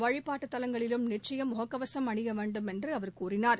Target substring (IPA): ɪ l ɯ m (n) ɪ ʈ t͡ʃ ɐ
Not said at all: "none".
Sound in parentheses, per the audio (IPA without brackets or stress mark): n